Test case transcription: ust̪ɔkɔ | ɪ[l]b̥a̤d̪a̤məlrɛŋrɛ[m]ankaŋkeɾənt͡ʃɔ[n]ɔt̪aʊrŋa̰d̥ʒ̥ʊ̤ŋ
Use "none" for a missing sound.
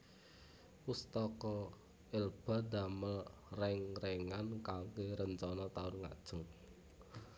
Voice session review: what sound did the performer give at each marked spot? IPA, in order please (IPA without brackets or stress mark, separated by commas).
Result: l, ŋ, n